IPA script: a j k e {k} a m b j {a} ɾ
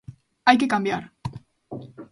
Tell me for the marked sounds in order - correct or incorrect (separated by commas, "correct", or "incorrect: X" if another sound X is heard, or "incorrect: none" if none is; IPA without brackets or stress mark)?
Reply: correct, correct